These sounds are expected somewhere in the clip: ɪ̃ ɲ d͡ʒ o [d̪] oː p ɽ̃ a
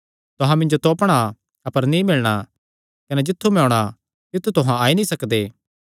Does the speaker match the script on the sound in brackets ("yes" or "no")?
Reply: no